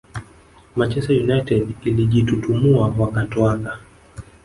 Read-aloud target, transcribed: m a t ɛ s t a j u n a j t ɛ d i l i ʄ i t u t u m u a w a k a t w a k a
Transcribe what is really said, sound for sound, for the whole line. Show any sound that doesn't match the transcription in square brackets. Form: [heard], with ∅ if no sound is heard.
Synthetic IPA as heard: m a [t͡ʃ] ɛ s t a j u n a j t ɛ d i l i ʄ i t u t u m u a w a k a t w a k a